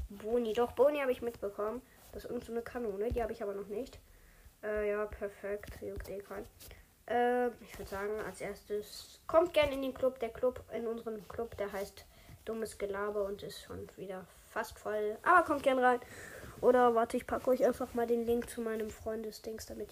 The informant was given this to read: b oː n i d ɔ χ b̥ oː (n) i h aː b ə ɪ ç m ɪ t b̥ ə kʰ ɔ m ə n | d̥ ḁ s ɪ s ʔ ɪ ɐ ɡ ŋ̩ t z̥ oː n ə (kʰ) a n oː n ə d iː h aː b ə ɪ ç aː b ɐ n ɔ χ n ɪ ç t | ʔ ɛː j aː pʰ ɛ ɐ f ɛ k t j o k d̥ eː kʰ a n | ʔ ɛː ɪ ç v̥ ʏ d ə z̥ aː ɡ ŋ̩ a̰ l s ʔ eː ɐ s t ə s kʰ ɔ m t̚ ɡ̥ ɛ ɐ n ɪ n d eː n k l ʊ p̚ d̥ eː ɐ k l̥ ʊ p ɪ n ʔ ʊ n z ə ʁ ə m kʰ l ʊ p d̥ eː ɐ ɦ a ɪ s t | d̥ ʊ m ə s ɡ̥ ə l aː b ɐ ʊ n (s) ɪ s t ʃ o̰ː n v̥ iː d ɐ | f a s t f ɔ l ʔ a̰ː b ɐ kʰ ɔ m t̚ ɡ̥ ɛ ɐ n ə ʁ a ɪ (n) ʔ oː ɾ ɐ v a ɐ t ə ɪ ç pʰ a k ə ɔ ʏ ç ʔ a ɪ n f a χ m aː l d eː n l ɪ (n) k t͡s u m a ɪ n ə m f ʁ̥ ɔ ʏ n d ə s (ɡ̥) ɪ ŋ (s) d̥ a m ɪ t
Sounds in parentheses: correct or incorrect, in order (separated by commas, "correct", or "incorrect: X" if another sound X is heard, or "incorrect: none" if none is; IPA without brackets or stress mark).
correct, correct, incorrect: t, correct, incorrect: ŋ, incorrect: d̥, correct